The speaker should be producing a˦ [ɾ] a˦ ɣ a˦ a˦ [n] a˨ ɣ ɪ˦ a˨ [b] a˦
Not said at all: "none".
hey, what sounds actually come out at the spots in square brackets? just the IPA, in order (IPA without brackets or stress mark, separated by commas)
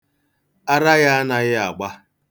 ɾ, n, ɡ͡b